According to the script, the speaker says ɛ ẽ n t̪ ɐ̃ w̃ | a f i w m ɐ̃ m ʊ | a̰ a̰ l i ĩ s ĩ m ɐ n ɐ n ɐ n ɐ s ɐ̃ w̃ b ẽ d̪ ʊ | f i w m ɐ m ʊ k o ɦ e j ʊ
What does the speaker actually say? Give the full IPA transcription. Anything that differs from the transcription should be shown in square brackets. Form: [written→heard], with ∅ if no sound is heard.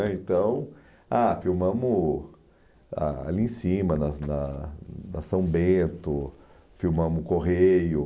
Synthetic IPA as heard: ɛ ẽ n t̪ ɐ̃ w̃ | a f i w m ɐ̃ m ʊ | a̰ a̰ l i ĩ s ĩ m ɐ n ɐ n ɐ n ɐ s ɐ̃ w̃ b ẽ [d̪→t̪] ʊ | f i w m [ɐ→ɐ̃] m ʊ k o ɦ e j ʊ

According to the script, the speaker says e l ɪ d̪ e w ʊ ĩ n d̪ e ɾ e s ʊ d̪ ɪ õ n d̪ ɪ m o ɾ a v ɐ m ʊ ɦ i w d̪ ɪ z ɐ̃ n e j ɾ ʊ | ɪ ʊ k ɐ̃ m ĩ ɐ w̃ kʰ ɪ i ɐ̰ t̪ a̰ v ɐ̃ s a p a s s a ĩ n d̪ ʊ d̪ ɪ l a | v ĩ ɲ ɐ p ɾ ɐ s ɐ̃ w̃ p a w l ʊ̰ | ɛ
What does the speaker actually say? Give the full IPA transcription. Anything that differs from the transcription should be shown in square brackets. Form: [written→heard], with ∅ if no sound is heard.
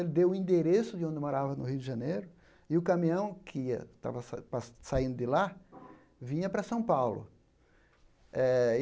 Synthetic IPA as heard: e l ɪ d̪ e w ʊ ĩ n d̪ e ɾ e s ʊ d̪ ɪ õ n d̪ ɪ m o ɾ a v ɐ [m→n] ʊ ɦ i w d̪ ɪ [z→ʒ] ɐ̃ n e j ɾ ʊ | ɪ ʊ k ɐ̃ m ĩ [ɐ→ɐ̃] w̃ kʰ ɪ i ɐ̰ t̪ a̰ v [ɐ̃→ɐ] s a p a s s a ĩ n d̪ ʊ d̪ ɪ l a | v ĩ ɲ ɐ p ɾ ɐ s ɐ̃ w̃ p a w l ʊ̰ | ɛ

